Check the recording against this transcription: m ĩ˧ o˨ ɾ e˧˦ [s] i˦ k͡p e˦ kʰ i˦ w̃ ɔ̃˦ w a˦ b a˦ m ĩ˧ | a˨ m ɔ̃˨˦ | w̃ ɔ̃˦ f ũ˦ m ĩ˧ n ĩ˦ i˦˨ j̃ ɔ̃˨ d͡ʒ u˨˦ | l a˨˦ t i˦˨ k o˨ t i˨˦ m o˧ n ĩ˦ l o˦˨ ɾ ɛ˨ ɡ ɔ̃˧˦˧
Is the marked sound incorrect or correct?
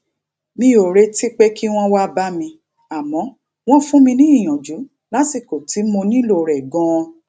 incorrect